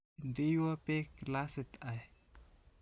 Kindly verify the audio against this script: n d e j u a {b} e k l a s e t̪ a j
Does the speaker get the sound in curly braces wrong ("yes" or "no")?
yes